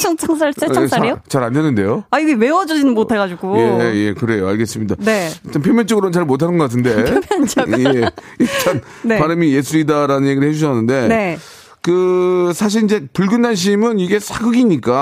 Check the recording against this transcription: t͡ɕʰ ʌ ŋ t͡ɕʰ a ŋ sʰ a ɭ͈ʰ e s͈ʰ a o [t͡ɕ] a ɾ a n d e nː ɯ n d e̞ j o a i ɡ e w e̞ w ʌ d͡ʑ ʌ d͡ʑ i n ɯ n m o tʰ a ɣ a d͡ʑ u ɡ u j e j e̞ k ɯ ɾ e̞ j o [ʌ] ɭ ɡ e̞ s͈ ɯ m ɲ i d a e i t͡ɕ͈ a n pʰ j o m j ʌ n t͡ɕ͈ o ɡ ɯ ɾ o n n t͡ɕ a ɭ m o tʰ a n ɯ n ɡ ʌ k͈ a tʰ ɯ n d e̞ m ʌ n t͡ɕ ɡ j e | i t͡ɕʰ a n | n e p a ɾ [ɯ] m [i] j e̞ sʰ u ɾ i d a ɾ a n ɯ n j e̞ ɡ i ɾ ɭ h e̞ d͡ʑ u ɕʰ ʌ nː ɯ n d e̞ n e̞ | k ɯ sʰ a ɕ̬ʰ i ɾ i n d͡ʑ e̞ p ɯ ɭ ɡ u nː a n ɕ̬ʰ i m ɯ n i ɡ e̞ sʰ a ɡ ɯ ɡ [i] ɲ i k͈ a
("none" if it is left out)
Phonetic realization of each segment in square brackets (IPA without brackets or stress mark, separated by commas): t͡ɕ, a, ɯ, i, i